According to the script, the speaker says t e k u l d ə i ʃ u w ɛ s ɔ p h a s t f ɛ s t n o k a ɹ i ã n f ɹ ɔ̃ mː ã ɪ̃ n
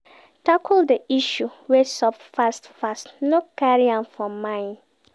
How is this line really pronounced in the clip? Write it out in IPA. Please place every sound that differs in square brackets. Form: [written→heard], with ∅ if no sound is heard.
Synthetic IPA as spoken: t [e→a] k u l d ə i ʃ u w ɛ s ɔ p [h→f] a s t f [ɛ→a] s t n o k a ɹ i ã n f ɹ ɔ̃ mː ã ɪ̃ n